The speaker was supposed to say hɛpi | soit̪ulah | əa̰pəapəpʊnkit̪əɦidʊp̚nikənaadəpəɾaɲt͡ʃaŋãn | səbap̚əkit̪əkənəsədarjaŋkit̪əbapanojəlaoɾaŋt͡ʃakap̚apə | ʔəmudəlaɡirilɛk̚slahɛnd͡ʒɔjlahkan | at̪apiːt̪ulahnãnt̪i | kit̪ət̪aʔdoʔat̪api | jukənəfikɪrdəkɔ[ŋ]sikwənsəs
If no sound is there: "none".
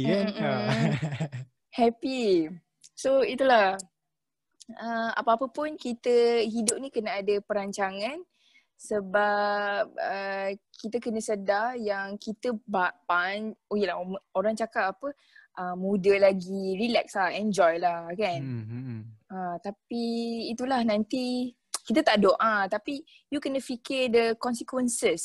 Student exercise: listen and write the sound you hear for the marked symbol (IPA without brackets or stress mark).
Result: n